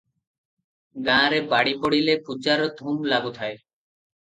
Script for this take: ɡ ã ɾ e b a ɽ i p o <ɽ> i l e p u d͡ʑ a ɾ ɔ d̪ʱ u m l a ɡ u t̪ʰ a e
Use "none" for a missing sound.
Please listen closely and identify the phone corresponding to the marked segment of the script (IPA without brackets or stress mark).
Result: ɽ